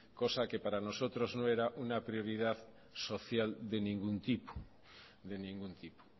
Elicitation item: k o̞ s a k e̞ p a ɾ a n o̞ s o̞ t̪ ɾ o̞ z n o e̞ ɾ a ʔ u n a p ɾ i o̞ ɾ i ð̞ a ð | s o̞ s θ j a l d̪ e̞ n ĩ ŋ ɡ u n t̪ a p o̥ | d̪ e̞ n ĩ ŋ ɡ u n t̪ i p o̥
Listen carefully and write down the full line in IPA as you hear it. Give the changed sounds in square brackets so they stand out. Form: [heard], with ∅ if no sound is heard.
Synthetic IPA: k o̞ s a k e̞ p a ɾ a n o̞ s o̞ t̪ ɾ o̞ z n o e̞ ɾ a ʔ u n a p ɾ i o̞ ɾ i ð̞ a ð | s o̞ [∅] θ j a l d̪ e̞ n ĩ ŋ ɡ u n t̪ [i] p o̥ | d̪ e̞ n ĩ ŋ ɡ u n t̪ i p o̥